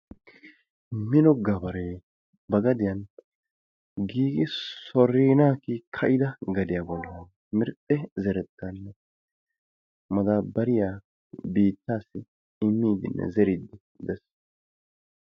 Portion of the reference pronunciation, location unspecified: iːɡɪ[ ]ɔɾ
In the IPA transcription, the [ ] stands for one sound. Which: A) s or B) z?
A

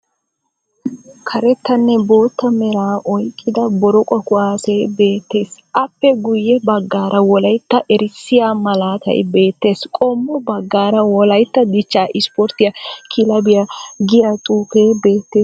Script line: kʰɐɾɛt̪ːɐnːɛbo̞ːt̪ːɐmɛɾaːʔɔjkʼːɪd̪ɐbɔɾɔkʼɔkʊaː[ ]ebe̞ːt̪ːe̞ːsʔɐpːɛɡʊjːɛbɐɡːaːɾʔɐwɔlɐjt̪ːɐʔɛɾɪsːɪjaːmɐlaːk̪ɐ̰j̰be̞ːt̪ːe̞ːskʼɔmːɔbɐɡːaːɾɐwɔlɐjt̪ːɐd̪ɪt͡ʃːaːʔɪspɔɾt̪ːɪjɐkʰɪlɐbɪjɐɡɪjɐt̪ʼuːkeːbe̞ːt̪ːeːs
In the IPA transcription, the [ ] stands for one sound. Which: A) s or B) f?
A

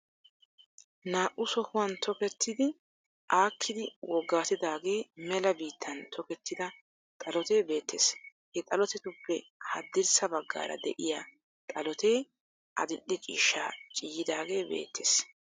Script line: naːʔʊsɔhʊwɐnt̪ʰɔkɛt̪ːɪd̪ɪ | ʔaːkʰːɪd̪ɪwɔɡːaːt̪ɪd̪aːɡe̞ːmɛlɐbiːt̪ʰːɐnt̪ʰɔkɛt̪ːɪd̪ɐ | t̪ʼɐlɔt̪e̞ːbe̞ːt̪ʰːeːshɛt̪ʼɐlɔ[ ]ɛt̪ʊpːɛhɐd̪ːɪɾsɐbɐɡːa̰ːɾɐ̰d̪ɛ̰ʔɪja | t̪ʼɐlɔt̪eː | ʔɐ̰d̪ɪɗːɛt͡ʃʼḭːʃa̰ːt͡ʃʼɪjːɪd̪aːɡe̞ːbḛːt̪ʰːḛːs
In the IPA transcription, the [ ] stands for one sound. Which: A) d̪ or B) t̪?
B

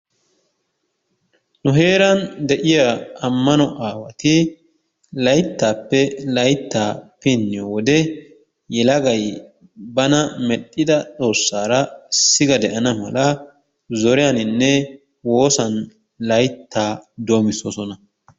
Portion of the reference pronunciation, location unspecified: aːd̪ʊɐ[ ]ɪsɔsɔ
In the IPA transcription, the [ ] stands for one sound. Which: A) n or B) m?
B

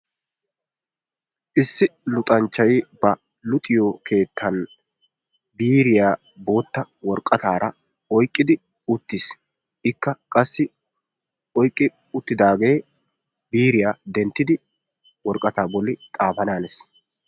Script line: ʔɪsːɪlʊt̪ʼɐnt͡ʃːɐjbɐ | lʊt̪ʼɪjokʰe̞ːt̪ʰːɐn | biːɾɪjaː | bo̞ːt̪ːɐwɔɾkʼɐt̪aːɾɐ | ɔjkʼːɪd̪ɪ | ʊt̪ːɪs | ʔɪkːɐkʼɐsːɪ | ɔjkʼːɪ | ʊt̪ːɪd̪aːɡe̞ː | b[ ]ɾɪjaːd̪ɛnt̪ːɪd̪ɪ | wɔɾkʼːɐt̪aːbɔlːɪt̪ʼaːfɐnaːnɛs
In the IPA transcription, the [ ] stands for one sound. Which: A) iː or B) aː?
A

